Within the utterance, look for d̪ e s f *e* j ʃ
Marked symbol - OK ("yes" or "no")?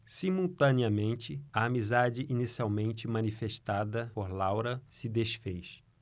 yes